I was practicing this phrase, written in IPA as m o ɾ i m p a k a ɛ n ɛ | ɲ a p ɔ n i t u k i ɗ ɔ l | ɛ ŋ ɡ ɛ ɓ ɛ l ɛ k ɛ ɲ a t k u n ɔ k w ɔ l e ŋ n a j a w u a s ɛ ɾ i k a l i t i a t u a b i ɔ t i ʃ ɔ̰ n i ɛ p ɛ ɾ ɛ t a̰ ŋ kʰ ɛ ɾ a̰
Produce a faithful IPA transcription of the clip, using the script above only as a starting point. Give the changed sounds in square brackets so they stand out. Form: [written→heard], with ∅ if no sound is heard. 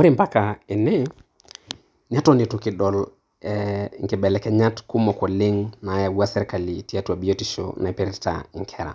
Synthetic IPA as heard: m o ɾ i m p a k a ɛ n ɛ | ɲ a [p→t] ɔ n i t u k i ɗ ɔ l | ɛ ŋ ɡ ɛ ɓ ɛ l ɛ k ɛ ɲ a t k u [n→m] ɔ k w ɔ l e ŋ n a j a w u a s ɛ ɾ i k a l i t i a t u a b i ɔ t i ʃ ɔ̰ n [i→a] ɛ p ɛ ɾ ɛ t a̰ ŋ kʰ ɛ ɾ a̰